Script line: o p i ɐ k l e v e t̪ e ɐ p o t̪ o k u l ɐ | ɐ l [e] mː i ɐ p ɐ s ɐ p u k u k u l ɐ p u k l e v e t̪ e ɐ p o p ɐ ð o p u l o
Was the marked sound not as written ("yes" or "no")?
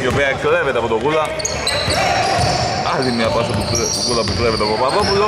yes